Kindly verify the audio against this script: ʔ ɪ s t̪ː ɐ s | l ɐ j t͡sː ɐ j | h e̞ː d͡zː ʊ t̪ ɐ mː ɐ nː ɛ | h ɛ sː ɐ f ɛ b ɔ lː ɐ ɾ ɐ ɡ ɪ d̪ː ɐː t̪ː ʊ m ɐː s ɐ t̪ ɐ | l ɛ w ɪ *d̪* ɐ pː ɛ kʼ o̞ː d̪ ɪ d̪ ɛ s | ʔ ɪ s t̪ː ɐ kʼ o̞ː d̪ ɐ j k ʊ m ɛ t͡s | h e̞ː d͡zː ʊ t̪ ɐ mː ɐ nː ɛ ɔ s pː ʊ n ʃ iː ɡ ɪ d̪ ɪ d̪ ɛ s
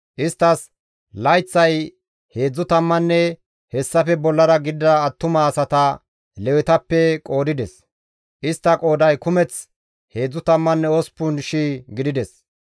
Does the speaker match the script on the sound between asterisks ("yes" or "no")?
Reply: no